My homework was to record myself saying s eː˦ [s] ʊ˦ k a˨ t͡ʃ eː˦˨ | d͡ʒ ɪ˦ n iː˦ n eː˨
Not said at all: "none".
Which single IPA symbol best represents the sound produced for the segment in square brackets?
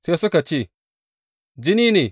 s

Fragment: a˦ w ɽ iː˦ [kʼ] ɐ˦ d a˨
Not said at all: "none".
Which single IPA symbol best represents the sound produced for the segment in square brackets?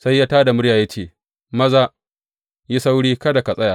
k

